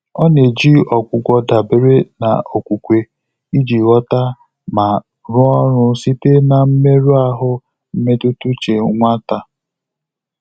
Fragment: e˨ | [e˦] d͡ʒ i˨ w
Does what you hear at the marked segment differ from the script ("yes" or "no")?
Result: yes